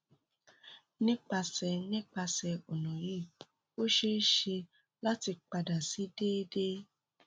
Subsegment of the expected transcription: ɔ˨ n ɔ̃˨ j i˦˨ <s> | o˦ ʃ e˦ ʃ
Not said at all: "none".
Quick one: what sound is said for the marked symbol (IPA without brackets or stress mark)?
none